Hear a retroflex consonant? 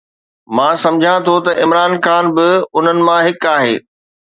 no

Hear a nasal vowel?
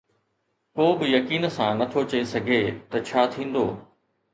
yes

